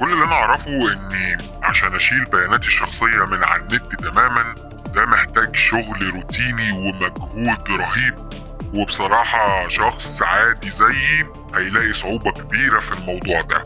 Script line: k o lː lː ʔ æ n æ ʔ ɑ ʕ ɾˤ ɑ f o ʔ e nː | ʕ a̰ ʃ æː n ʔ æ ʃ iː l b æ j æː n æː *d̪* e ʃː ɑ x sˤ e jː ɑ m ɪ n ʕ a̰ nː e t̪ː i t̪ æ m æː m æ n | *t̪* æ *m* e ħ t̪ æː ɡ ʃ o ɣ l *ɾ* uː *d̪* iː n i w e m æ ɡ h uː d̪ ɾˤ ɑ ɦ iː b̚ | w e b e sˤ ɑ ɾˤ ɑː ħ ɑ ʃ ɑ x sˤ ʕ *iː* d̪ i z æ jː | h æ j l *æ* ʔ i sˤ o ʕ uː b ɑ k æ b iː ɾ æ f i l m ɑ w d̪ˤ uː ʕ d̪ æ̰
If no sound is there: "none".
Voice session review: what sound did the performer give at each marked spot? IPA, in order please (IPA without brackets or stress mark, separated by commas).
t̪, d̪, m, ɾ, t̪, aː, æː